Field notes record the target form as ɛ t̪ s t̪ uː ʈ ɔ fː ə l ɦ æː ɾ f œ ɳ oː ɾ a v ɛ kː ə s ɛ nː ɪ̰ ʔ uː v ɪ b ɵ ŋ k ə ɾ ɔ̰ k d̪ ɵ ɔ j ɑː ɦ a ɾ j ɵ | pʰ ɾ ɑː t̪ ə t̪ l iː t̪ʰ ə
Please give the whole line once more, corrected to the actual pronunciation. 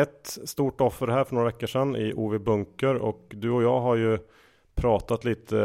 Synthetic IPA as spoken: ɛ t̪ s t̪ uː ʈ ɔ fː ə ɾ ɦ æː ɾ f œ ɳ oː ɾ a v ɛ kː ə ʂ ɛ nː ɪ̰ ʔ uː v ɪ b ɵ ŋ k ə ɾ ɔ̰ k d̪ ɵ ɔ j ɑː ɦ a ɾ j ɵ | pʰ ɾ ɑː t̪ a t̪ l iː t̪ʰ ə